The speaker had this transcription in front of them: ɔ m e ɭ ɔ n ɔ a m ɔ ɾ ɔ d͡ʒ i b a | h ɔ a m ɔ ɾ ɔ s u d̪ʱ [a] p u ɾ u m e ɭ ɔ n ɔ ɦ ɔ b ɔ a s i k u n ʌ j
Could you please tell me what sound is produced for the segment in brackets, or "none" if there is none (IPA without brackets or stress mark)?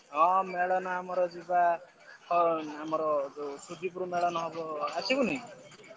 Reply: i